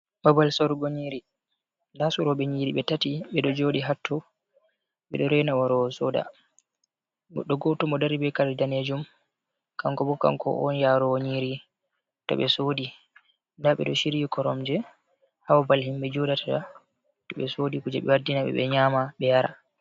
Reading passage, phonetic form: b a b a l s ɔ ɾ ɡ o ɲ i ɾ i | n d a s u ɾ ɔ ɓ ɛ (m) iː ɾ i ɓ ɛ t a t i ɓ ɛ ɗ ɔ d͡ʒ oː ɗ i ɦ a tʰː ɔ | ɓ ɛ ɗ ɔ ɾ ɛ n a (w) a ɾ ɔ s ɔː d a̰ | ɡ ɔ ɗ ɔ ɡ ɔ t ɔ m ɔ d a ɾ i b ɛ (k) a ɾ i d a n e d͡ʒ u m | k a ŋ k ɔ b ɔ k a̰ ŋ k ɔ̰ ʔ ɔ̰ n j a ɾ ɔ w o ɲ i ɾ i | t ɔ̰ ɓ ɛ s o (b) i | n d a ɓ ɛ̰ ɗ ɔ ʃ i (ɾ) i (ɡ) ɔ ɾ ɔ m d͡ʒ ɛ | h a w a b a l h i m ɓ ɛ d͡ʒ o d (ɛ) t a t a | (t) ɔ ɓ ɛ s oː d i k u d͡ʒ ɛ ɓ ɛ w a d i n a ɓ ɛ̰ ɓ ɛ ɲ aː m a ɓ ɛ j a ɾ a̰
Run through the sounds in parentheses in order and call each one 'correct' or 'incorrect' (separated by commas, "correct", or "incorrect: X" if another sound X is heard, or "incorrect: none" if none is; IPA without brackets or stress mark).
incorrect: ɲ, correct, correct, incorrect: d, correct, incorrect: k, incorrect: a, correct